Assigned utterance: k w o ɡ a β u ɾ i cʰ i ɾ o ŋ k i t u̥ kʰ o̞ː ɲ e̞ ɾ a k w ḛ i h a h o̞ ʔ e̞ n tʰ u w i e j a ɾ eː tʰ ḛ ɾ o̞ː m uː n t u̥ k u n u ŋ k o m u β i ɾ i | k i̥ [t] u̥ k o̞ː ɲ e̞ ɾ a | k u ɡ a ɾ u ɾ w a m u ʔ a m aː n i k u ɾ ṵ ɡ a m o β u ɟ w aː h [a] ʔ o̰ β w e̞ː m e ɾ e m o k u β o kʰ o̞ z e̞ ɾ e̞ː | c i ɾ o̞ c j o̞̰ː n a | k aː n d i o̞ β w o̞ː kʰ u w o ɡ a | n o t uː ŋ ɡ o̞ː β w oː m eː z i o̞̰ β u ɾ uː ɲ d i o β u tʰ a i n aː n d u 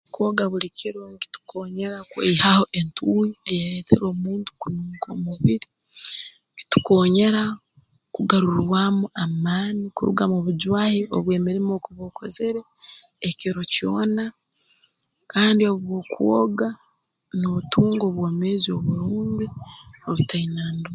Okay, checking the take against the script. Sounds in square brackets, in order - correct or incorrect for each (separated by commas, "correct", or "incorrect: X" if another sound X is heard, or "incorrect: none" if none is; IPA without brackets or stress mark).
correct, incorrect: i